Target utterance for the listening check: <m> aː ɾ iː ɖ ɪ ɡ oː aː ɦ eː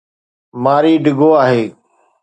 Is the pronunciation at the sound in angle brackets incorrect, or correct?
correct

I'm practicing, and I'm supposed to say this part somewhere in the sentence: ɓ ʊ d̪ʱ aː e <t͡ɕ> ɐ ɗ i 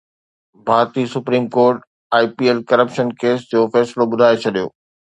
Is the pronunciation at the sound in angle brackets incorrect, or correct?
incorrect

